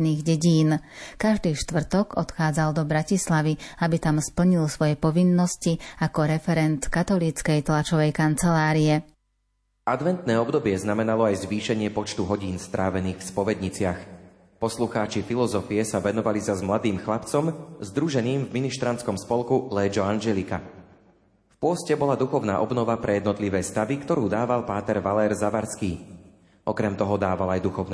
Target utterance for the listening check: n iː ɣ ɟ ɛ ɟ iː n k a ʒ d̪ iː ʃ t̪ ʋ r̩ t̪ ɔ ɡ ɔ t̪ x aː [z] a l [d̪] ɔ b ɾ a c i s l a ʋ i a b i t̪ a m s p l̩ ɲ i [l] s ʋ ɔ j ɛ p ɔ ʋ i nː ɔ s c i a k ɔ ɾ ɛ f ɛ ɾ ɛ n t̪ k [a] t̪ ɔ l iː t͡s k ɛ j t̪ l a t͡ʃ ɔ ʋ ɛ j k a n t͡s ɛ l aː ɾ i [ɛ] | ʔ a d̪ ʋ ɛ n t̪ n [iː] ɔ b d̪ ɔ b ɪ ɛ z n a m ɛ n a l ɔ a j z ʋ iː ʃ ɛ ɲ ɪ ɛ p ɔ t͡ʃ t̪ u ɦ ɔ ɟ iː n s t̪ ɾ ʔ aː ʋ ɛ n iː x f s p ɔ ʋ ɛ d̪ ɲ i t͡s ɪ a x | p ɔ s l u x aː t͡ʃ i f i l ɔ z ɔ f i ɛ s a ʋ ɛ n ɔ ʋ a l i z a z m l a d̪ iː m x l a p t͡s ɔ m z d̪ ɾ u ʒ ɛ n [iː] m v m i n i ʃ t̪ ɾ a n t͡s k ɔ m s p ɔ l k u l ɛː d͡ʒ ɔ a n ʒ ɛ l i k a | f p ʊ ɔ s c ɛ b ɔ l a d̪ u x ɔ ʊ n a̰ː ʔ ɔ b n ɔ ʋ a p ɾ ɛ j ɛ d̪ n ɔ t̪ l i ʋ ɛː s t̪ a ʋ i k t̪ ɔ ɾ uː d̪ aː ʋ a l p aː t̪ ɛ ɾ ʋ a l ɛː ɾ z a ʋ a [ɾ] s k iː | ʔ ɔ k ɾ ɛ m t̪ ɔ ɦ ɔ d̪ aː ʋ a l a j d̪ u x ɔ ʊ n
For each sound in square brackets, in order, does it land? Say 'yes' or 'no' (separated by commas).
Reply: no, yes, yes, yes, yes, no, yes, yes